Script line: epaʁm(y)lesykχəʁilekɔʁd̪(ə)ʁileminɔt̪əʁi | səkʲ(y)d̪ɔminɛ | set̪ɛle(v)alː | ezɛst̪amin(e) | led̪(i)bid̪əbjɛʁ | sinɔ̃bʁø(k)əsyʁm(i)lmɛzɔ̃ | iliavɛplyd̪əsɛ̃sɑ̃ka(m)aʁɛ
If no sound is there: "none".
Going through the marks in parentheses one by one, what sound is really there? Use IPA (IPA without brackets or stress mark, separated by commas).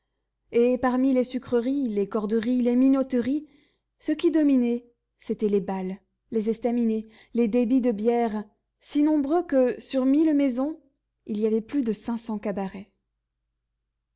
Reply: i, ə, i, b, e, e, k, i, b